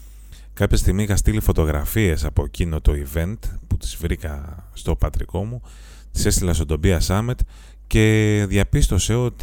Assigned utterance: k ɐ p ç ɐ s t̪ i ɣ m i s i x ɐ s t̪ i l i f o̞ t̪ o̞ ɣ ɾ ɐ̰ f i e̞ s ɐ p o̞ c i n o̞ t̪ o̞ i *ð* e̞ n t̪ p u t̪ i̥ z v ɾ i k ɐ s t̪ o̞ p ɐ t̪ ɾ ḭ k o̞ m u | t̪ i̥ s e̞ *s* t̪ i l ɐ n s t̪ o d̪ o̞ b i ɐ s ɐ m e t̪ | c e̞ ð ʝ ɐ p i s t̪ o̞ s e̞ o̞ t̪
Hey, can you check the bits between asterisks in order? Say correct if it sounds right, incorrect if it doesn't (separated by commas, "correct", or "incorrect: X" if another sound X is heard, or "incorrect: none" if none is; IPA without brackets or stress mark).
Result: incorrect: v, correct